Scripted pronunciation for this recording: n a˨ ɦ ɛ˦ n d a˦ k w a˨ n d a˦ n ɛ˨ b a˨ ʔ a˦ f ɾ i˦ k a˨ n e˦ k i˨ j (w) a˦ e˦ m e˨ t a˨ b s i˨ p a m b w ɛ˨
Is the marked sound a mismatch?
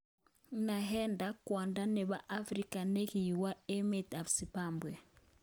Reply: no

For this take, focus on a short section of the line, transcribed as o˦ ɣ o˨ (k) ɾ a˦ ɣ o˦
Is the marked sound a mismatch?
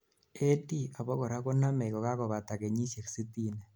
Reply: yes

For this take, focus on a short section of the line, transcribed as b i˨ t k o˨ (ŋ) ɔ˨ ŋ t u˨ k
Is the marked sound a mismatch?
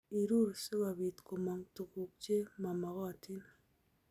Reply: yes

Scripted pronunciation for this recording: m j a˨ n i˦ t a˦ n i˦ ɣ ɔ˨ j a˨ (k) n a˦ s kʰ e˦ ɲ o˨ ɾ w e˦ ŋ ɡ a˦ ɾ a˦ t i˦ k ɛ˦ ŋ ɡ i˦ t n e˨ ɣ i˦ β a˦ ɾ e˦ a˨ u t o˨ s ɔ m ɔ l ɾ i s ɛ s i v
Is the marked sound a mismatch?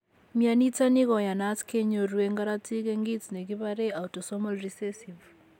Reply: yes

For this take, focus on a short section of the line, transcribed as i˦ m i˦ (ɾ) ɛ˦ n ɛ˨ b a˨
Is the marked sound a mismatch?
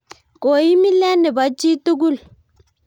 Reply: yes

